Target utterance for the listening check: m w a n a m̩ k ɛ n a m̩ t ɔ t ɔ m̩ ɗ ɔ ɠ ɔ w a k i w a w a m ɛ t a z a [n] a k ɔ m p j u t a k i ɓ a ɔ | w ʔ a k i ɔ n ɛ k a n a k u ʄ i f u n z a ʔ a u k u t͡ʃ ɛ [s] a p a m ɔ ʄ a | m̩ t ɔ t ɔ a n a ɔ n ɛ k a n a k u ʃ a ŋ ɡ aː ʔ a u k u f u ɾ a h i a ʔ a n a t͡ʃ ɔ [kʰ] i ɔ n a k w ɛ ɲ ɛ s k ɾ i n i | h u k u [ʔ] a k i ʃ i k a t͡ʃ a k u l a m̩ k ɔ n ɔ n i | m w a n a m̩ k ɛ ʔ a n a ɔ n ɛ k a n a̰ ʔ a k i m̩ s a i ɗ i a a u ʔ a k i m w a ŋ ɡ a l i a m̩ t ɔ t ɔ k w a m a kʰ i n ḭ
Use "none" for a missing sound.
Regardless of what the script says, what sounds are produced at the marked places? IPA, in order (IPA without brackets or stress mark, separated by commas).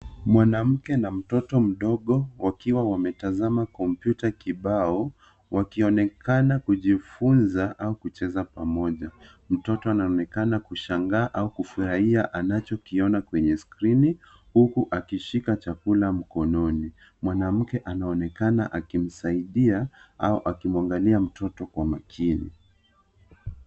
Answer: m, z, k, ʔ